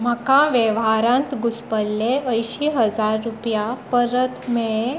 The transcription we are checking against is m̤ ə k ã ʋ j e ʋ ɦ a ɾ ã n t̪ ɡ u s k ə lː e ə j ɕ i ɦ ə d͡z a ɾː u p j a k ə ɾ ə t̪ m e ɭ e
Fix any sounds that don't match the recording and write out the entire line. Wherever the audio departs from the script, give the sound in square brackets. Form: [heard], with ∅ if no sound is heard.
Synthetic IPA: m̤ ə k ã ʋ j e ʋ ɦ a ɾ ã n t̪ ɡ u s [p] ə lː e ə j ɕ i ɦ ə d͡z a ɾː u p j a [p] ə ɾ ə t̪ m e ɭ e